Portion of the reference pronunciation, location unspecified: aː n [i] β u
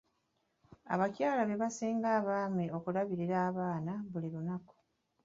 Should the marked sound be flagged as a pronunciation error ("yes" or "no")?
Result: yes